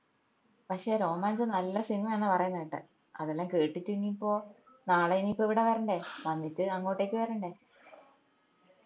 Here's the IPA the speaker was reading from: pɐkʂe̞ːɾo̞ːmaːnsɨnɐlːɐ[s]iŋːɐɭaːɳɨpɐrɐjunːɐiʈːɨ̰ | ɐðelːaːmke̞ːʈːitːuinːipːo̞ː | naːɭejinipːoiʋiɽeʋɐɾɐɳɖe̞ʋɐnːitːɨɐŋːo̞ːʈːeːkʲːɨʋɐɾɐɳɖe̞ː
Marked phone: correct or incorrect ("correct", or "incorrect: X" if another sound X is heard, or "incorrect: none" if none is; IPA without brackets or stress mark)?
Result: correct